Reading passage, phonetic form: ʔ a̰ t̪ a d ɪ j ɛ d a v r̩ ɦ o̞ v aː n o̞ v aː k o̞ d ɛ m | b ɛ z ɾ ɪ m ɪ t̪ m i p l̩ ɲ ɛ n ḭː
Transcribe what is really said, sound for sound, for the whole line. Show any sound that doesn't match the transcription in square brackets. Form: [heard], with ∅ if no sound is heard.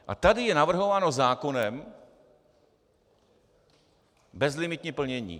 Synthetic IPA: ʔ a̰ t̪ a d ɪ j ɛ [n] a v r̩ ɦ o̞ v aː n o̞ [z] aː k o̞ [n] ɛ m | b ɛ z [l] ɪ m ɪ t̪ [ɲ] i p l̩ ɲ ɛ [ɲ] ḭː